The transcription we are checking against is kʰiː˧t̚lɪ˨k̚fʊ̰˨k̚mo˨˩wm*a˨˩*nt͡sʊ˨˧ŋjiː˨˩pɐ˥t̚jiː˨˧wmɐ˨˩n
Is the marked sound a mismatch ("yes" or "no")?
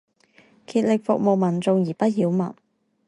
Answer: yes